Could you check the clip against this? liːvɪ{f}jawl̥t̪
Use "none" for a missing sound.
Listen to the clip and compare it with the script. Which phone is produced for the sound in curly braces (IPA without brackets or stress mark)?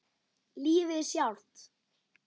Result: s